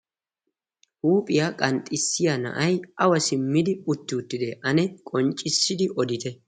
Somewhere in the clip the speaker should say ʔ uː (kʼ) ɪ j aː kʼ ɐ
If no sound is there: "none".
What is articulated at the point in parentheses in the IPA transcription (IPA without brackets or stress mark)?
pʼ